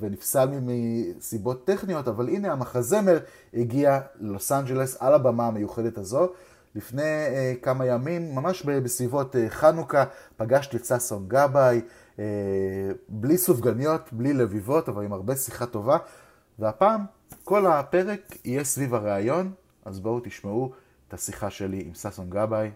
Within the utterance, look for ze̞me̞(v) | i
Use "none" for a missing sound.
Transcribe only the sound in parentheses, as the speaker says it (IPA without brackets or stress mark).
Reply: ʁ